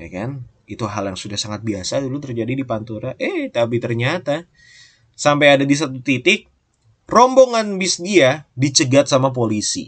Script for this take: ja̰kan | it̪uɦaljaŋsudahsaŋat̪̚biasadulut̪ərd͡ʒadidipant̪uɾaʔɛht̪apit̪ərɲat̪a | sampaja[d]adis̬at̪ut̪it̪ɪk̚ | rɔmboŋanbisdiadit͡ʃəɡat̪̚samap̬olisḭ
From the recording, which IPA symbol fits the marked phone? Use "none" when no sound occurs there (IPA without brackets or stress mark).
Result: d